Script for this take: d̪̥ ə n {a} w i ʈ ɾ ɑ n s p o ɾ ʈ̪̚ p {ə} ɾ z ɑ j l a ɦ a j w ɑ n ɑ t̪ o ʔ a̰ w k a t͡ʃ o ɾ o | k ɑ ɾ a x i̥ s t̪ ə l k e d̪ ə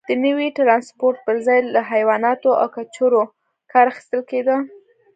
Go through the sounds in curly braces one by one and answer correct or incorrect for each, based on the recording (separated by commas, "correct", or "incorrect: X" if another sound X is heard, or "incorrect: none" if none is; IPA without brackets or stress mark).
incorrect: ə, correct